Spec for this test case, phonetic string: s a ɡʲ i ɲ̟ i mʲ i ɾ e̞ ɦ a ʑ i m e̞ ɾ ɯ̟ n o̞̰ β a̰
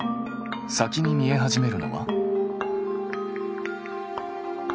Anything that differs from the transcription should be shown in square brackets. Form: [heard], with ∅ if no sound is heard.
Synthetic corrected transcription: s a [kʲ] i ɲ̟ i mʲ i [∅] e̞ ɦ a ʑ i m e̞ ɾ ɯ̟ n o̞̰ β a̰